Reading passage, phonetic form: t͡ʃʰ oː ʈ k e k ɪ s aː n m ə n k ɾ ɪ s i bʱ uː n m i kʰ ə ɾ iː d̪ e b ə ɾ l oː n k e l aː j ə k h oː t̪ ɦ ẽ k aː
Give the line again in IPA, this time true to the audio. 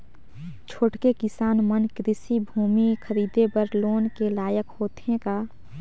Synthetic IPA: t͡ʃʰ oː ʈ k e k ɪ s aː n m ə n k ɾ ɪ s i bʱ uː m i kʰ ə ɾ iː d̪ e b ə ɾ l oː n k e l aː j ə k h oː t̪ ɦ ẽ k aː

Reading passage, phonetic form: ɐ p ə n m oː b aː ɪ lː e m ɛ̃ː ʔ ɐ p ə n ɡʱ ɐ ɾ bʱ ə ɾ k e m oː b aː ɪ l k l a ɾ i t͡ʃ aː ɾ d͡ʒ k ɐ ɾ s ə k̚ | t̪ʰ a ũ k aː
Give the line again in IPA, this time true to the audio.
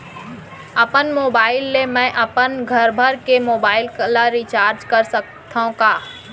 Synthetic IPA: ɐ p ə n m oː b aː ɪ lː e m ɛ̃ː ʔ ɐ p ə n ɡʱ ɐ ɾ bʱ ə ɾ k e m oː b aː ɪ l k l a ɾ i t͡ʃ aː ɾ d͡ʒ k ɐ ɾ s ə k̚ | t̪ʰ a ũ k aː

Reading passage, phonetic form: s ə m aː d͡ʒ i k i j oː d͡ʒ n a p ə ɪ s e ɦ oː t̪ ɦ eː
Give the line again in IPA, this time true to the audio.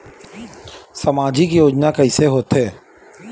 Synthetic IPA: s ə m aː d͡ʒ i k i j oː d͡ʒ n a k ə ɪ s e ɦ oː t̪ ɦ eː

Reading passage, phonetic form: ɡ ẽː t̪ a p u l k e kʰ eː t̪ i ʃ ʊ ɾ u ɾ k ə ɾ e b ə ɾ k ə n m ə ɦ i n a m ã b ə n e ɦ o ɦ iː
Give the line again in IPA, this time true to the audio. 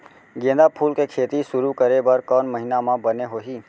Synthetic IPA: ɡ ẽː d̪ a pʰ u l k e kʰ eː t̪ i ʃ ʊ ɾ u k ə ɾ e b ə ɾ k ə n m ə ɦ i n a m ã b ə n e ɦ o ɦ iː

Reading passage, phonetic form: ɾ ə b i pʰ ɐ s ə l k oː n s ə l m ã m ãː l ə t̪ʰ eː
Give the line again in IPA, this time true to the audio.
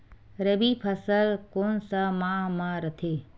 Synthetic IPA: ɾ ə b i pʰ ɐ s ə l k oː n s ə m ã m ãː ɾ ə t̪ʰ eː

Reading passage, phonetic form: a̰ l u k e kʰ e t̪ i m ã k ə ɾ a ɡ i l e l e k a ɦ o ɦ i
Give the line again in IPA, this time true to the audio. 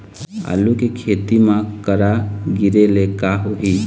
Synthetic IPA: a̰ l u k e kʰ e t̪ i m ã k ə ɾ a ɡ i ɾ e l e k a ɦ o ɦ i

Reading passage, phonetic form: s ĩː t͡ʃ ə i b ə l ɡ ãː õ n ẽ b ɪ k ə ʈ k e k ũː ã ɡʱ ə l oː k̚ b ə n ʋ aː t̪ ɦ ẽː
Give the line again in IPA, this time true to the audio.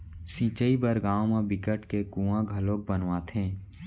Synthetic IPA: s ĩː t͡ʃ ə i b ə ɾ ɡ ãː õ m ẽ b ɪ k ə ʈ k e k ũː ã ɡʱ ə l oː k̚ b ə n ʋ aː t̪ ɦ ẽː

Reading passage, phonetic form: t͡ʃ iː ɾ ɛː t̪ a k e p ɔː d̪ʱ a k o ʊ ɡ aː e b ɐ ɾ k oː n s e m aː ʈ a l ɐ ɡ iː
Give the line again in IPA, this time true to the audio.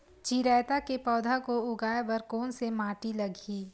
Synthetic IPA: t͡ʃ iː ɾ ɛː t̪ a k e p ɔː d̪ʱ a k o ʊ ɡ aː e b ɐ ɾ k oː n s e m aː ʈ i l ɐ ɡ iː

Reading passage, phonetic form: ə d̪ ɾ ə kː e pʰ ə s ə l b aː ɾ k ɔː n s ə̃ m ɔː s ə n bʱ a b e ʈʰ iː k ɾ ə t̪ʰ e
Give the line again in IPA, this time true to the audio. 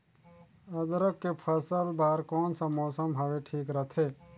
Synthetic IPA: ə d̪ ɾ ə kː e pʰ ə s ə l b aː ɾ k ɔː n s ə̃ m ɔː s ə m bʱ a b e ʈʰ iː k ɾ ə t̪ʰ e

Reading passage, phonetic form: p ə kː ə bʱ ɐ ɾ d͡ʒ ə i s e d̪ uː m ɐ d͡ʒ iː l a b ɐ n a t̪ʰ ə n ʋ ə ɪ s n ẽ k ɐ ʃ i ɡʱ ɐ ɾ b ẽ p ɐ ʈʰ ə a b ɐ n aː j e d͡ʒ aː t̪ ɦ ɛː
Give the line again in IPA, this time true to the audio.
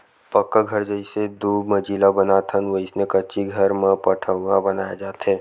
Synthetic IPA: p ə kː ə ɡʱ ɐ ɾ d͡ʒ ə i s e d̪ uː m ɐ d͡ʒ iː l a b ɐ n a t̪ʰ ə n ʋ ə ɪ s n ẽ k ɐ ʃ i ɡʱ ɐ ɾ m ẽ p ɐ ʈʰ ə a b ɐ n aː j a d͡ʒ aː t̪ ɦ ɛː

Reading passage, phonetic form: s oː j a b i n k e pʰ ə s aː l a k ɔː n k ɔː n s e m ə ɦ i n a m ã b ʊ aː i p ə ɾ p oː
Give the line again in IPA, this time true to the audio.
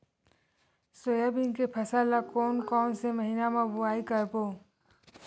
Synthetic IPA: s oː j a b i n k e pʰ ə s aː l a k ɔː n k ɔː n s e m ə ɦ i n a m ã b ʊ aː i k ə ɾ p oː

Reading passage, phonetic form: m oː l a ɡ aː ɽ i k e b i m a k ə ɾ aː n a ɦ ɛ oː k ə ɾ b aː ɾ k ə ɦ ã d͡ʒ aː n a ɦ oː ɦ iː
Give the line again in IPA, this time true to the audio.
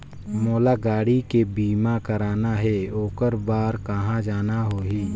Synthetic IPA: m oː l a ɡ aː ɽ i k e b iː m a k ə ɾ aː n a ɦ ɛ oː k ə ɾ b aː ɾ k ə ɦ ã d͡ʒ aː n a ɦ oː ɦ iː

